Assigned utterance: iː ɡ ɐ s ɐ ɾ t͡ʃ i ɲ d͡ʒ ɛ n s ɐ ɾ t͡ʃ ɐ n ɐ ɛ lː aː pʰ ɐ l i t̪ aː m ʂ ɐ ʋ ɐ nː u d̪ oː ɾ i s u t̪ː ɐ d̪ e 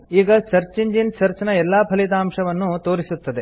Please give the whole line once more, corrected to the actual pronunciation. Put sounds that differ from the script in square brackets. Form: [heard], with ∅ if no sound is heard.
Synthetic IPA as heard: iː ɡ ɐ s ɐ ɾ t͡ʃ i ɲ d͡ʒ [i] n s ɐ ɾ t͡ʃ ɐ n ɐ ɛ lː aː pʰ ɐ l i t̪ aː m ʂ ɐ ʋ ɐ nː u [t̪] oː ɾ i s u t̪ː ɐ d̪ e